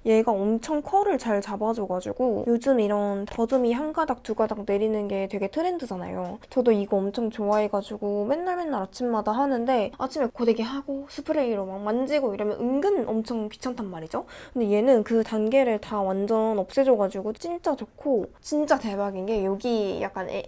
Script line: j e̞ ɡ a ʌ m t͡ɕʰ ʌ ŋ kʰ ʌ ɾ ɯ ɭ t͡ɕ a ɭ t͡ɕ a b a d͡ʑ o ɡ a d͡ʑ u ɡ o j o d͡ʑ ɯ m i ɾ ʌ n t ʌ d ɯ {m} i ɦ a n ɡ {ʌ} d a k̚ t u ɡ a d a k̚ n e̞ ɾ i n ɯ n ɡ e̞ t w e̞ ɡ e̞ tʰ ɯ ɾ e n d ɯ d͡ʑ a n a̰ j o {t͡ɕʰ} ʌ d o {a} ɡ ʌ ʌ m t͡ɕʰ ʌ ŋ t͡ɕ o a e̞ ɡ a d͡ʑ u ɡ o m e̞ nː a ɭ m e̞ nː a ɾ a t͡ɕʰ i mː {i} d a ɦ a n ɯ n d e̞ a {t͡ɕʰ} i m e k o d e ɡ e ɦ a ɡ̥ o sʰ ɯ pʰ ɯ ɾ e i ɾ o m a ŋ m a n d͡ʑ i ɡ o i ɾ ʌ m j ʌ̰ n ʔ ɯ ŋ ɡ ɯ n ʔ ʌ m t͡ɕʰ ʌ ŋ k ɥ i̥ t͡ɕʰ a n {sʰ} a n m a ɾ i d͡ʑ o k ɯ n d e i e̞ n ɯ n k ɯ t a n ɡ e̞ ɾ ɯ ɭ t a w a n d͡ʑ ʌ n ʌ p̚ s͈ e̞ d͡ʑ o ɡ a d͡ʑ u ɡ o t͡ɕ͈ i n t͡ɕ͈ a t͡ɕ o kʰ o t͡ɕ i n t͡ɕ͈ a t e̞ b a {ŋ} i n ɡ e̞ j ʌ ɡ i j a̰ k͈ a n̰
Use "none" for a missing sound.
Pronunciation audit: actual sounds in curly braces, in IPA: m, a, t͡ɕ, i, a, t͡ɕʰ, tʰ, ɡ

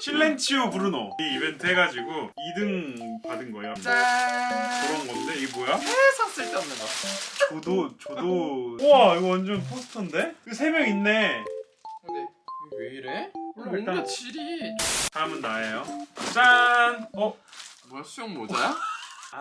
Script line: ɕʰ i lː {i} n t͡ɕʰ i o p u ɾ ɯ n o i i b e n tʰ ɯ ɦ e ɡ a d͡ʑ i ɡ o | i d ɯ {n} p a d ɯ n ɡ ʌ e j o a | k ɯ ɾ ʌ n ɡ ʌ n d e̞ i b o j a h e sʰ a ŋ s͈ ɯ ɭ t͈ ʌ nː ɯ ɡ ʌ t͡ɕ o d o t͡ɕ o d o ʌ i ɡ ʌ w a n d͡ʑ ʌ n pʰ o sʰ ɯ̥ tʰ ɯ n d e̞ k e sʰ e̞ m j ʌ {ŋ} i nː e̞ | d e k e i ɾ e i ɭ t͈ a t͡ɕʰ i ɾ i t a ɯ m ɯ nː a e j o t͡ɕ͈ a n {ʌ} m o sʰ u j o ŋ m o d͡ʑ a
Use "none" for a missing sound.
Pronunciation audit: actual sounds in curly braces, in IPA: e, ŋ, ŋ, ʌ

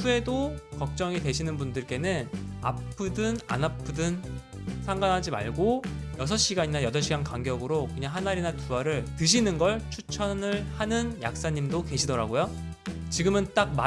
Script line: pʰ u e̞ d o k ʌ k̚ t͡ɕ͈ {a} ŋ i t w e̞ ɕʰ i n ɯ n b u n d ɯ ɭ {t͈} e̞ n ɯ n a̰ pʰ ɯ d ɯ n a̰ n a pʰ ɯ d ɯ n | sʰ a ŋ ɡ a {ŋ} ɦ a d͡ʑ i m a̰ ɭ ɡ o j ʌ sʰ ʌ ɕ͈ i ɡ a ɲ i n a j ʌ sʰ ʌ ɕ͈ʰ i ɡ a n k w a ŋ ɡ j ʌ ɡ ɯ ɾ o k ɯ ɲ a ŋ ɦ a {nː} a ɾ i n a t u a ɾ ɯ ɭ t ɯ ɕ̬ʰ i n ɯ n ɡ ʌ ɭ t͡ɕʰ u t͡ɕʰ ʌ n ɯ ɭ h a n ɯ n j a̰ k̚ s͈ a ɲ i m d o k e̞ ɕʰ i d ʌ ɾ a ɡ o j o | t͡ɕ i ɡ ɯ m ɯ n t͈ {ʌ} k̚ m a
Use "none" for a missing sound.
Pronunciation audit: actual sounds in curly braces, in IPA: ʌ, k͈, n, n, a

